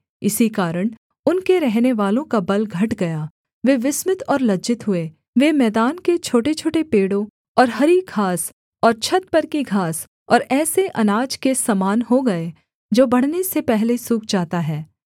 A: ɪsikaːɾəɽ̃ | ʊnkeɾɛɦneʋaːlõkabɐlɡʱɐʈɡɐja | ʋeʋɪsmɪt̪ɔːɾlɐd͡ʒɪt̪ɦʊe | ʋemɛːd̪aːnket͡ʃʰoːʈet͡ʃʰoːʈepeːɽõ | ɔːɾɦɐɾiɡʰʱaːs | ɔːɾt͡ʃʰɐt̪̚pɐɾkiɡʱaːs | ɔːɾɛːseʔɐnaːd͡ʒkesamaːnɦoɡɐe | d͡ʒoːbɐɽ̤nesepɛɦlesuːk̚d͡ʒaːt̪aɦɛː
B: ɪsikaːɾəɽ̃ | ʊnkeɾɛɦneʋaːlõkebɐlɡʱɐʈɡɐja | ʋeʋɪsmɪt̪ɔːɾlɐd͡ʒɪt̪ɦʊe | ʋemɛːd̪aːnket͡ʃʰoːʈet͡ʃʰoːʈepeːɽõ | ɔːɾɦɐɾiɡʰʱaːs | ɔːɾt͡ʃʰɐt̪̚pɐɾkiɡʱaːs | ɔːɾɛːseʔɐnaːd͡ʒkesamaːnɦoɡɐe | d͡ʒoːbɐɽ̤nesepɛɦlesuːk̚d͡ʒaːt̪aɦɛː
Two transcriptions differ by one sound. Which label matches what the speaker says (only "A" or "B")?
A